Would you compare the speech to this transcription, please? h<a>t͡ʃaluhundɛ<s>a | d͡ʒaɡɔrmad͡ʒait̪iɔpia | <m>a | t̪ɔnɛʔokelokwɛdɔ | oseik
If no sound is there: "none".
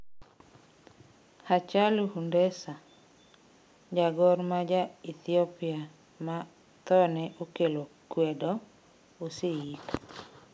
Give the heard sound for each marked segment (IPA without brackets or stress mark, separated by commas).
a, s, m